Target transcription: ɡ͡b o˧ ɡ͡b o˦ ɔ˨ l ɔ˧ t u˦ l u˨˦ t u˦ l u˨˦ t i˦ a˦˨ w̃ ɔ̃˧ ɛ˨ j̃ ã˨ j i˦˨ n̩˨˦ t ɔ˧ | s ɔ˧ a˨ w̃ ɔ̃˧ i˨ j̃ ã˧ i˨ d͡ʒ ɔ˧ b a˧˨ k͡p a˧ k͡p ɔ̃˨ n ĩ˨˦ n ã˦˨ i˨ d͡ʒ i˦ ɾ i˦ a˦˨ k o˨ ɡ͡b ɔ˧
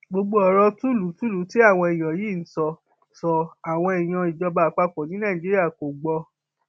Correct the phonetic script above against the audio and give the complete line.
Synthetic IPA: ɡ͡b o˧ ɡ͡b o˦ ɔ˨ ɾ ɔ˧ t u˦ l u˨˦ t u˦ l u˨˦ t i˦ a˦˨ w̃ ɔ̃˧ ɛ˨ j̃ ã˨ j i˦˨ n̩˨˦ s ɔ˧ | s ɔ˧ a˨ w̃ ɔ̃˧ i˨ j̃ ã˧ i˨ d͡ʒ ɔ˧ b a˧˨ k͡p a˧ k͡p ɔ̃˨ n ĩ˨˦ n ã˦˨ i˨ d͡ʒ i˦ ɾ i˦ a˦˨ k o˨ ɡ͡b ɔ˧